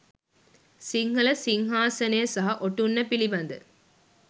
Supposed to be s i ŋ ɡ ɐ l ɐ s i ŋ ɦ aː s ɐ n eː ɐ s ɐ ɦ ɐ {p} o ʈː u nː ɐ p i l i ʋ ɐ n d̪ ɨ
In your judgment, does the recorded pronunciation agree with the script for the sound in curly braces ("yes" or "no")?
no